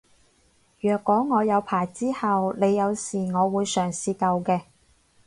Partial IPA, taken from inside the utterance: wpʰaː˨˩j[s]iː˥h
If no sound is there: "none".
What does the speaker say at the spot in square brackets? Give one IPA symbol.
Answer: t͡s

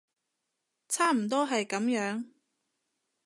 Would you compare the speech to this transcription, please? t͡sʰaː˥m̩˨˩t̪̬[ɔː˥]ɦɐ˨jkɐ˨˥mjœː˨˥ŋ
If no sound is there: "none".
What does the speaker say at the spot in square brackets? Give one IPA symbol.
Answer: ɔː˥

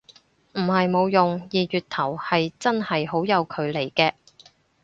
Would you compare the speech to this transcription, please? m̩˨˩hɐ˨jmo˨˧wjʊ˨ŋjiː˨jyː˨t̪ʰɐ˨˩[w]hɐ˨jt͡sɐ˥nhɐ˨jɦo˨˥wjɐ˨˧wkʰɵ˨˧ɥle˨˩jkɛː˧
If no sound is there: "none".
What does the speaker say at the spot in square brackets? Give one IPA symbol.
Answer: w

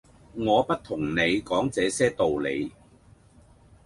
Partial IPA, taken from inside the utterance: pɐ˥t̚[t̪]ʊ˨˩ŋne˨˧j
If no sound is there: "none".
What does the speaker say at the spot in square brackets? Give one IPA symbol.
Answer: t̪ʰ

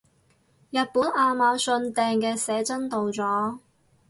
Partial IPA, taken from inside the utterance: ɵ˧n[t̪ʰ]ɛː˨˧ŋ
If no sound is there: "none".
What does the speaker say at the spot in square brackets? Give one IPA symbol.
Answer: t̪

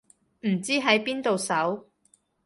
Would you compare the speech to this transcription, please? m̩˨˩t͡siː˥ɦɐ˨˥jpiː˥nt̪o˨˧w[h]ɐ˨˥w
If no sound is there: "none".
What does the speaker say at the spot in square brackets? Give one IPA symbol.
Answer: s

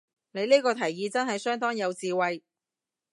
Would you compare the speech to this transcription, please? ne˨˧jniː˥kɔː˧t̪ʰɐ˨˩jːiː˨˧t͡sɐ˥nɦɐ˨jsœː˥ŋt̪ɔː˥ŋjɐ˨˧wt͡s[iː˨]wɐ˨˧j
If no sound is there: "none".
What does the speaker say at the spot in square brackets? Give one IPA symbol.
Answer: iː˨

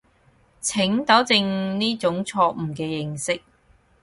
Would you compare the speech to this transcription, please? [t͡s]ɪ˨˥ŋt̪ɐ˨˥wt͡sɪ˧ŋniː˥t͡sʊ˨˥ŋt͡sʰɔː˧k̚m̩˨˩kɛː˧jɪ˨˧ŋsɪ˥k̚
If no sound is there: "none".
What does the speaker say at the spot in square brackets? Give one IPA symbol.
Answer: t͡sʰ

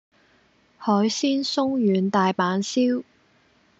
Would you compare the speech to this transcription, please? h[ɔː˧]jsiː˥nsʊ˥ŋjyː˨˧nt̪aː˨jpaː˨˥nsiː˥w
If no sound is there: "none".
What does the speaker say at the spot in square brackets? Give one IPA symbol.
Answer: ɔː˨˥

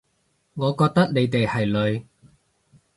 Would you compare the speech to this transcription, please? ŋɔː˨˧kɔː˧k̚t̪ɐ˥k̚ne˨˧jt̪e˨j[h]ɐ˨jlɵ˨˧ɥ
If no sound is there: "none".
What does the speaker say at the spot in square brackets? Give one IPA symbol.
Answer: h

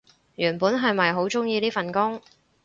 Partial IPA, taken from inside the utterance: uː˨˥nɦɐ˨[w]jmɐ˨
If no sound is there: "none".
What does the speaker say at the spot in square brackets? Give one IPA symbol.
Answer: none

